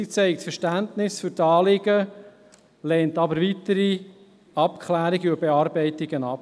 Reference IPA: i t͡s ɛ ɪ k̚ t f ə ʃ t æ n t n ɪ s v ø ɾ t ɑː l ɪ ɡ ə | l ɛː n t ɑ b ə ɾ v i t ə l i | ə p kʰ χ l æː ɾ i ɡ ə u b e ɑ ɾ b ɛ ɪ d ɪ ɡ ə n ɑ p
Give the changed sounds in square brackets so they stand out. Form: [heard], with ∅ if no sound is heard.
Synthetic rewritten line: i t͡s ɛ ɪ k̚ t f ə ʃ t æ n t n ɪ s [f] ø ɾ t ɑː l ɪ ɡ ə | l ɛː n t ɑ b ə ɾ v i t ə [ɾ] i | [ɑ] p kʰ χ l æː ɾ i ɡ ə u b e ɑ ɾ b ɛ ɪ [t] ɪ ɡ ə n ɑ p